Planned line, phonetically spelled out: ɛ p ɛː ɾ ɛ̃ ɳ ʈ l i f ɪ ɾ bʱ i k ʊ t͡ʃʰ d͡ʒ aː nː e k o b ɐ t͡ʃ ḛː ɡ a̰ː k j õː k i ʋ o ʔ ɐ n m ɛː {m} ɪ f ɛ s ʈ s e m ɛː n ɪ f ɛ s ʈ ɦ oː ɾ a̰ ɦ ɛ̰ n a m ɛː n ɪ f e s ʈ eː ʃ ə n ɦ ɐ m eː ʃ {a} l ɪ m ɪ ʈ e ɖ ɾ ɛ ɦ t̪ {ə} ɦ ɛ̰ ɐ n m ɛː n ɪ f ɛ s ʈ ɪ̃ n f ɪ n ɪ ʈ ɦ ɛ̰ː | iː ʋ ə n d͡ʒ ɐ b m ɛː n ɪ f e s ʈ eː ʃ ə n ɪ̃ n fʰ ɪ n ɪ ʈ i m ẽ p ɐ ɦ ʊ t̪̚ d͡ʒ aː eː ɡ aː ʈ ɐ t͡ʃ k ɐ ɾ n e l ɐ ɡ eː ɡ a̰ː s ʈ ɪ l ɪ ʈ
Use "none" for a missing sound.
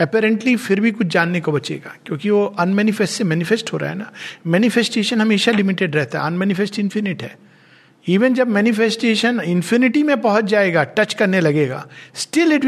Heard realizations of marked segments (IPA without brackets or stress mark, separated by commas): n, a, a